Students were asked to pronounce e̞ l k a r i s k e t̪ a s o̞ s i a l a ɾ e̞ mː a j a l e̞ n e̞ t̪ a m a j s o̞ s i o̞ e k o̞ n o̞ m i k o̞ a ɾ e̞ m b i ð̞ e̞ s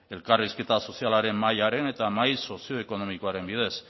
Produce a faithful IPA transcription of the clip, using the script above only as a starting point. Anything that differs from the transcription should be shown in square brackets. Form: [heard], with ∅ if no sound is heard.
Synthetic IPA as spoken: e̞ l k a r i s k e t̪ a s o̞ s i a l a ɾ e̞ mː a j a [ɾ] e̞ n e̞ t̪ a m a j s o̞ s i o̞ e k o̞ n o̞ m i k o̞ a ɾ e̞ m b i ð̞ e̞ s

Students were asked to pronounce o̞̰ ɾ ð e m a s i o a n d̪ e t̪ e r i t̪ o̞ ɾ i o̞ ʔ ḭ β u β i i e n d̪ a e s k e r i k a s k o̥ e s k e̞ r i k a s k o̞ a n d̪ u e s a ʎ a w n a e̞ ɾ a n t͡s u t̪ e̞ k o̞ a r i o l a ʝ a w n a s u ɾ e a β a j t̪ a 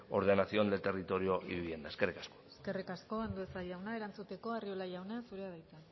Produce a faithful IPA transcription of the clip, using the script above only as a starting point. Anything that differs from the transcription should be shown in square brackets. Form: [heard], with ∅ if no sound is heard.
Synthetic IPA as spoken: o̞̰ ɾ ð e [n] a s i o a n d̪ e t̪ e r i t̪ o̞ ɾ i o̞ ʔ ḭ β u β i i e n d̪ a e s k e r i k a s k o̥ e s k e̞ r i k a s k o̞ a n d̪ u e s a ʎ a w n a e̞ ɾ a n t͡s u t̪ e̞ k o̞ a r i o l a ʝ a w n a s u ɾ e a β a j t̪ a

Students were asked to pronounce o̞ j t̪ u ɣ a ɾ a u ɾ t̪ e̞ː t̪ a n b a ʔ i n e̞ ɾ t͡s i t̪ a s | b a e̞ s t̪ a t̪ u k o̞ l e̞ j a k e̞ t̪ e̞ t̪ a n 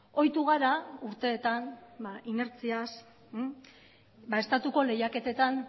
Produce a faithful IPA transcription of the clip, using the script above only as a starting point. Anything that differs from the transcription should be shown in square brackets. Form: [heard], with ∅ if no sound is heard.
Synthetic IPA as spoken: o̞ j t̪ u ɣ a ɾ a u ɾ t̪ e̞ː t̪ a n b a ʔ i n e̞ ɾ t͡s i [∅] a s | b a e̞ s t̪ a t̪ u k o̞ l e̞ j a k e̞ t̪ e̞ t̪ a n

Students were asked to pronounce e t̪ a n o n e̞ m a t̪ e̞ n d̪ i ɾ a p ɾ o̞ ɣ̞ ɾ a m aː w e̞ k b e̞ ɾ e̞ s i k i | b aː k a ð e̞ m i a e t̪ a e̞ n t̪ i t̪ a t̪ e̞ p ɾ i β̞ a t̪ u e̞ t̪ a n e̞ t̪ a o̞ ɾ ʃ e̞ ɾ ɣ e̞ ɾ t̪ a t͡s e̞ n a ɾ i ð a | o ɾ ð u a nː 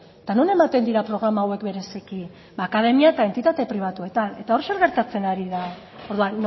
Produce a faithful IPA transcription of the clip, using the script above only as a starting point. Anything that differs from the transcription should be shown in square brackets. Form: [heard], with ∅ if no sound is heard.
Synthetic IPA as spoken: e t̪ a n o n e̞ m a t̪ e̞ n d̪ i ɾ a p ɾ o̞ ɣ̞ ɾ a m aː w e̞ k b e̞ ɾ e̞ s i k i | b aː k a ð e̞ m i a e t̪ a e̞ n t̪ i t̪ a t̪ e̞ p ɾ i β̞ a t̪ u e̞ t̪ a n e̞ t̪ a o̞ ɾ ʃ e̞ ɾ ɣ e̞ ɾ t̪ a t͡s e̞ n a ɾ i ð a | o ɾ ð u a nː

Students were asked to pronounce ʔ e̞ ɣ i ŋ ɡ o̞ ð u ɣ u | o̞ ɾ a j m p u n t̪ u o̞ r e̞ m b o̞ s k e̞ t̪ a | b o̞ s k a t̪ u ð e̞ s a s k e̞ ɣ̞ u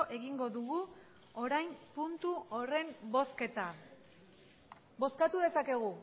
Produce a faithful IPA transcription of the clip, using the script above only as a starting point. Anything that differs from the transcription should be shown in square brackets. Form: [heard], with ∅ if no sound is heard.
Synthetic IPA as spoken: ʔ e̞ ɣ i ŋ ɡ o̞ ð u ɣ u | o̞ ɾ a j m p u n t̪ u o̞ r e̞ m b o̞ s k e̞ t̪ a | b o̞ s k a t̪ u ð e̞ s a [∅] k e̞ ɣ̞ u

